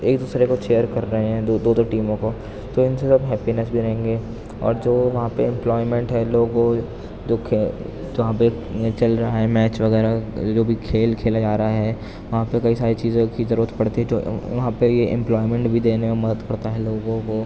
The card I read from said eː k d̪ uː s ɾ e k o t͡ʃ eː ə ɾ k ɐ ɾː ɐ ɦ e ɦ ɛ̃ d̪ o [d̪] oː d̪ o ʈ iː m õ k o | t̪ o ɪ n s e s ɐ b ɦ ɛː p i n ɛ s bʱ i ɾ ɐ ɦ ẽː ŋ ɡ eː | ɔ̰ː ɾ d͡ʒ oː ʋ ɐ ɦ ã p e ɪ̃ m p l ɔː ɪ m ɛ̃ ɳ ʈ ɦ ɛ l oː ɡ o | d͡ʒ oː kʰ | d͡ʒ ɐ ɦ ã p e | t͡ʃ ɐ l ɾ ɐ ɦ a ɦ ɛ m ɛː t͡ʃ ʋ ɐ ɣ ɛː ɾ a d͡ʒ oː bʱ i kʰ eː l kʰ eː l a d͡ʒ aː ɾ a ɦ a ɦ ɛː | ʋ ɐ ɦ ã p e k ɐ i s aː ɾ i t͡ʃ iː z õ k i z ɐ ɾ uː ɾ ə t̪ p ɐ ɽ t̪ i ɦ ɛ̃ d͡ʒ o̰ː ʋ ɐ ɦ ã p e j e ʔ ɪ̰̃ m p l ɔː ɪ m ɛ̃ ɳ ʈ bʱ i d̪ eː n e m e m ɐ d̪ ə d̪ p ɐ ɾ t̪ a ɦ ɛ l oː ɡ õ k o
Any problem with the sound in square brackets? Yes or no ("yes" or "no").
no